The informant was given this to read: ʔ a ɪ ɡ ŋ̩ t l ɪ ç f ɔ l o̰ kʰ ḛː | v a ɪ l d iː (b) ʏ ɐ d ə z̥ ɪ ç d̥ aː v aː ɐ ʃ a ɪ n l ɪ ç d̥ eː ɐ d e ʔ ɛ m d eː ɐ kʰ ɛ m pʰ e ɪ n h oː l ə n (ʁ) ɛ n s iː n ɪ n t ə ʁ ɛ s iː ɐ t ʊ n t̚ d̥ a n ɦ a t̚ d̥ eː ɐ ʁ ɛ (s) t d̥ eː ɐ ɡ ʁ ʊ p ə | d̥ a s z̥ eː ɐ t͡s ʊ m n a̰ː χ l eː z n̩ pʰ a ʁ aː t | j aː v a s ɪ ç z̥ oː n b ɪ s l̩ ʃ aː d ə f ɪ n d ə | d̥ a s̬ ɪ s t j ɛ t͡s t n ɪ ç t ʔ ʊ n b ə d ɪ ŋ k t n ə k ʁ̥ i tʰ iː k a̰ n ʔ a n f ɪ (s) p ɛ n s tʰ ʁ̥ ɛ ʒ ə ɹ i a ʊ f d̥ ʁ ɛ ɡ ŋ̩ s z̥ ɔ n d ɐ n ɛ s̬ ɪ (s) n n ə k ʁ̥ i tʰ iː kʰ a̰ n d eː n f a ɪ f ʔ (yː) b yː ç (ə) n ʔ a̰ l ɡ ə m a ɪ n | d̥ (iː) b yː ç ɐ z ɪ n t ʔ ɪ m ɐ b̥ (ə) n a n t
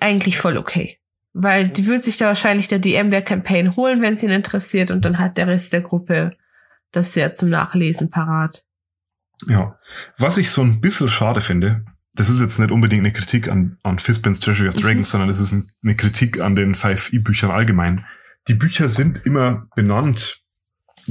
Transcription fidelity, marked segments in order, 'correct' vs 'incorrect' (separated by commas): incorrect, incorrect, correct, correct, correct, incorrect, incorrect, correct, correct